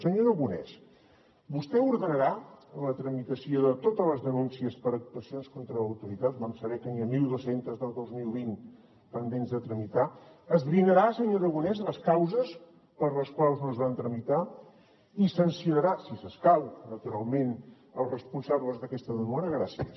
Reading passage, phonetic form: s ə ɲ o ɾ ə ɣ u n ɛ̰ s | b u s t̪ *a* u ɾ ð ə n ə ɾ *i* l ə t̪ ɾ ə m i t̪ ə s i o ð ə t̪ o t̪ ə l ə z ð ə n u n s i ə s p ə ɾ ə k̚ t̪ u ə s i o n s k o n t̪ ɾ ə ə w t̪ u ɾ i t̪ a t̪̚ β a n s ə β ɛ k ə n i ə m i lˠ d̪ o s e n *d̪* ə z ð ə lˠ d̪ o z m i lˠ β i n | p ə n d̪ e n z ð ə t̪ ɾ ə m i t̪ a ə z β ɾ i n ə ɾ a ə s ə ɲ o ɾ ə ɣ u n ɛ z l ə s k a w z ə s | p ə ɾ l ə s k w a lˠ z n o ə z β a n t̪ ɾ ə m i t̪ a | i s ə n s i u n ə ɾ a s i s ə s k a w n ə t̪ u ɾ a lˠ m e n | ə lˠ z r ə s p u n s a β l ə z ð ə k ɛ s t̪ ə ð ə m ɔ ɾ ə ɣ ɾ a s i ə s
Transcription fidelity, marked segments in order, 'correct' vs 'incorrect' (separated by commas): incorrect, incorrect, incorrect